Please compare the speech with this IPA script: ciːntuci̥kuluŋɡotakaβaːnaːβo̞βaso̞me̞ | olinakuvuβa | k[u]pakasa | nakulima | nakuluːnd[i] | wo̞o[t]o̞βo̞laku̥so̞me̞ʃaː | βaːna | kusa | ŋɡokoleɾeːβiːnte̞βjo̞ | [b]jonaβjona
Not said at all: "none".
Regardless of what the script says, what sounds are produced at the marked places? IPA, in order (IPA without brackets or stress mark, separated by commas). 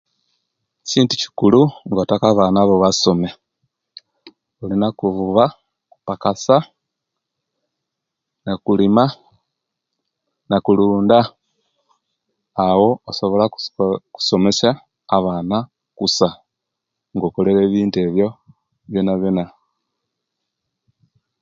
u, a, s, β